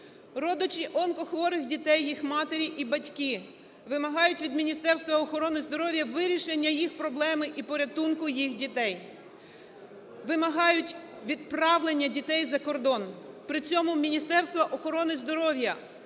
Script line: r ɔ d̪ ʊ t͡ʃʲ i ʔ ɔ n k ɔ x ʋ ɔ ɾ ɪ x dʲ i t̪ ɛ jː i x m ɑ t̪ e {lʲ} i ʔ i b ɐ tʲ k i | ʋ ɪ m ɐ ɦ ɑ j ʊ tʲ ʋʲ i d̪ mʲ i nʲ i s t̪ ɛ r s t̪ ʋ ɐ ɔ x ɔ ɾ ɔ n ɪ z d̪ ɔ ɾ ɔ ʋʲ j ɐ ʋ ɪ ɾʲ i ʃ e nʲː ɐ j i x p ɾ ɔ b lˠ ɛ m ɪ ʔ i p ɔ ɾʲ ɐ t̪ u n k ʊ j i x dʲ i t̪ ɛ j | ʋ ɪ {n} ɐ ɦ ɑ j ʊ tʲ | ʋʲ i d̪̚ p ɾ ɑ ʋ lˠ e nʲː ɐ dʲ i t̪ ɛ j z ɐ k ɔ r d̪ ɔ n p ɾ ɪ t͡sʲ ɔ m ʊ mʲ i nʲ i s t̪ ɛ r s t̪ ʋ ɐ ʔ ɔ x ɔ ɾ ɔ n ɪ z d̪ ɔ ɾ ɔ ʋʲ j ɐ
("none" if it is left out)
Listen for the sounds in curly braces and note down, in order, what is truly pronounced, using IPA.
ɾʲ, m

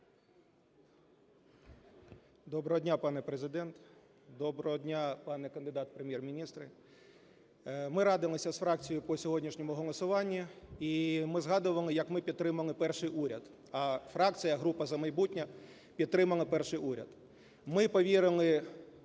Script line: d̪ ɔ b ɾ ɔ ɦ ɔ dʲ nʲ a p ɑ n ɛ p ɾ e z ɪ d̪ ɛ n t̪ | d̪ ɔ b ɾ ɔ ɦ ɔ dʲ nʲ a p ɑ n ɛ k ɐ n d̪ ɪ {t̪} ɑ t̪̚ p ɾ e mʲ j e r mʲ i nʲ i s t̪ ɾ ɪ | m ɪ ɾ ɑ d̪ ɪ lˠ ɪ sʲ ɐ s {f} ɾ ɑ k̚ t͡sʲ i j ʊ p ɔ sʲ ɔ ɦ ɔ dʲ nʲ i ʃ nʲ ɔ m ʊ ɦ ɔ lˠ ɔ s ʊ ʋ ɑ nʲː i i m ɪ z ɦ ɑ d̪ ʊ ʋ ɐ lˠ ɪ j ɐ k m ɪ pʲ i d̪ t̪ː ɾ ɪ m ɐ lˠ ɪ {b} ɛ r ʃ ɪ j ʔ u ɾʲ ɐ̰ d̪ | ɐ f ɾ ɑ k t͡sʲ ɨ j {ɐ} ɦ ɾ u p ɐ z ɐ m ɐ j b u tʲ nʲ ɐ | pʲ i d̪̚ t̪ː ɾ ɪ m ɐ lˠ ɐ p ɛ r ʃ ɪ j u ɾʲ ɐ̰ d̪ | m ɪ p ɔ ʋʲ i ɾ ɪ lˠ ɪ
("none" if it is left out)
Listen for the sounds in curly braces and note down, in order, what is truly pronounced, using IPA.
d̪, f, p, ɐ

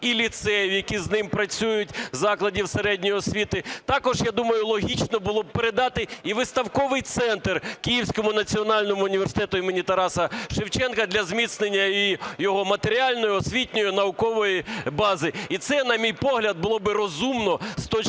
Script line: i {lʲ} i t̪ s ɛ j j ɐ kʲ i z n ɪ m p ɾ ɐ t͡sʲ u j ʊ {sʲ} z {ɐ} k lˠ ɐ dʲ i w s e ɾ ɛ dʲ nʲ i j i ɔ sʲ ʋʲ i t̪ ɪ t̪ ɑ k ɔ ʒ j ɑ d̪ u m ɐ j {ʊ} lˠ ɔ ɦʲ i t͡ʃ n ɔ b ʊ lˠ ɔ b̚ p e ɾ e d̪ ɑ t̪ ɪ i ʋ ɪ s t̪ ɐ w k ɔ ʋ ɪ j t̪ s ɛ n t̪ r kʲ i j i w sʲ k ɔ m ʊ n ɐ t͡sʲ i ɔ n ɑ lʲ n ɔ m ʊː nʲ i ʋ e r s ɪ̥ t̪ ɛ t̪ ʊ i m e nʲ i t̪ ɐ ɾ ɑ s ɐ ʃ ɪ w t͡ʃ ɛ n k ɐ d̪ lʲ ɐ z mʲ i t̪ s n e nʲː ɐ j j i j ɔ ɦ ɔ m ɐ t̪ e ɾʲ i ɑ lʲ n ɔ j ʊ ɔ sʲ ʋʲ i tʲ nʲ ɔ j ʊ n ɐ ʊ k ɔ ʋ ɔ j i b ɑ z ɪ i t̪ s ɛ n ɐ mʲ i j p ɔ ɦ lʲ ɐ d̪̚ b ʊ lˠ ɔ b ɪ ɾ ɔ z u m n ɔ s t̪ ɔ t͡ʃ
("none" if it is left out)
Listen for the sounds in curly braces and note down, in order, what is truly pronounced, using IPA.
lʲ, tʲ, ɑ, ʊ

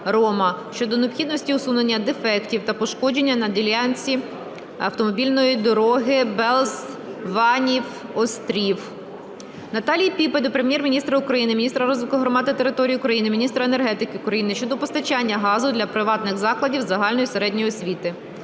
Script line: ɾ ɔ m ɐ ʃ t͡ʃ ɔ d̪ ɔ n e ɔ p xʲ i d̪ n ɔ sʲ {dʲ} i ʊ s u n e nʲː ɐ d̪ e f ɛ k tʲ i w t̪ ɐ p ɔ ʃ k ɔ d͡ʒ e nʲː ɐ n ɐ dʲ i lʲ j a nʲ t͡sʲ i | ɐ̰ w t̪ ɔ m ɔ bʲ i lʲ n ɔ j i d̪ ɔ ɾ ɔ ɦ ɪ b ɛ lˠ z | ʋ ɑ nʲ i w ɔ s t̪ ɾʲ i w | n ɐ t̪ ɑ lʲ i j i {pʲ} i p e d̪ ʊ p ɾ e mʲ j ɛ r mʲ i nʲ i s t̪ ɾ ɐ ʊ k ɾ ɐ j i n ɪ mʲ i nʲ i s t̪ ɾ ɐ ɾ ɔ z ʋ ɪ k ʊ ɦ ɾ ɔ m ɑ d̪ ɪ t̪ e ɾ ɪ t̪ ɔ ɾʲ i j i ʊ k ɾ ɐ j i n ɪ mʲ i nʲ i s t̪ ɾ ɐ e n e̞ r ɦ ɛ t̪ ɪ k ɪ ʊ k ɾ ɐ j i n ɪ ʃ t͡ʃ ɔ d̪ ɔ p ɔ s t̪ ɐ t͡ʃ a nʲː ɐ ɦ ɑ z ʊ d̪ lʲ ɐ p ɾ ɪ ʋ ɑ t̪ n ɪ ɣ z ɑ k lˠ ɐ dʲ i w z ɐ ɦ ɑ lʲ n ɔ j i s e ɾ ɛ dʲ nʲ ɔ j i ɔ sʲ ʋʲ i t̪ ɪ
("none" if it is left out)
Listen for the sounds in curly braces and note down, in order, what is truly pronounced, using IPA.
tʲ, pʲ

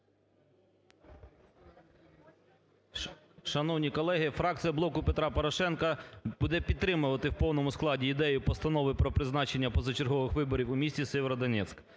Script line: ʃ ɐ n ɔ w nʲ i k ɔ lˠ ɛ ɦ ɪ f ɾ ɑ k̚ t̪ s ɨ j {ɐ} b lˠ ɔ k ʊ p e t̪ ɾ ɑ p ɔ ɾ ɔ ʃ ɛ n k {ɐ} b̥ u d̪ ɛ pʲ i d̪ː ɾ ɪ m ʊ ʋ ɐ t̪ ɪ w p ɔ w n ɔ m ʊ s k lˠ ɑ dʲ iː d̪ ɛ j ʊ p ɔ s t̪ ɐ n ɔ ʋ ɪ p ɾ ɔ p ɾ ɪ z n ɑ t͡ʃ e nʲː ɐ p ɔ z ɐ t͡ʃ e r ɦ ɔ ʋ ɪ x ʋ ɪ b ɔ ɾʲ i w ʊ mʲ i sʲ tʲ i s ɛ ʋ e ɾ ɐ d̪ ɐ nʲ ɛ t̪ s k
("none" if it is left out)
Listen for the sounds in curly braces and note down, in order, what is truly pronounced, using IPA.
ɐ, ɐ

